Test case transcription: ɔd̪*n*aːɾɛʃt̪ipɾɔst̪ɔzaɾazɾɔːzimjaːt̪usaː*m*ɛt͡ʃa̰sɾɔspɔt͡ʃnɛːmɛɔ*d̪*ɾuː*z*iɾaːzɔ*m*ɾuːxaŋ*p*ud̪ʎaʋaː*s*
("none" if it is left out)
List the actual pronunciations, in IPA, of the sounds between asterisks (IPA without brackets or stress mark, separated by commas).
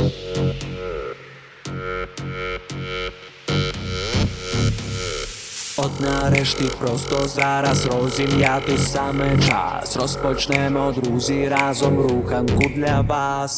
n, m, d̪, z, m, k, s